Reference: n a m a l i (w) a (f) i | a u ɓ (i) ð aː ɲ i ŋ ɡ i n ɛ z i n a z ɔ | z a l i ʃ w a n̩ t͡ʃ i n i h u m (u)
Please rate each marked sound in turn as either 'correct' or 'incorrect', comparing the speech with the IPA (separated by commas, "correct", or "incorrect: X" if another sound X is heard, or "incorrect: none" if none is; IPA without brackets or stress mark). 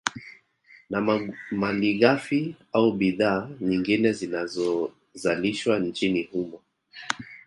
incorrect: ɣ, correct, correct, incorrect: ɔ